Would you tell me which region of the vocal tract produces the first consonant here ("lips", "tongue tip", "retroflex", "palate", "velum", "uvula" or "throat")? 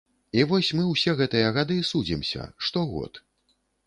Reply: lips